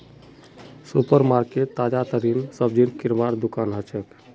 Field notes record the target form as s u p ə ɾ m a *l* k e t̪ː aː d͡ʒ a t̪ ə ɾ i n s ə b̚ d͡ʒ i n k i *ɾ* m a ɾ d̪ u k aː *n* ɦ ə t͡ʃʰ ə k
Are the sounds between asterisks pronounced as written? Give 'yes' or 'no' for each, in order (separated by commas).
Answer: no, yes, yes